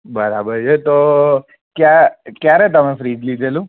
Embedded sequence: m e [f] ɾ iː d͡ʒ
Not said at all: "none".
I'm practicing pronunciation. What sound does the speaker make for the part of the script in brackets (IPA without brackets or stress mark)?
f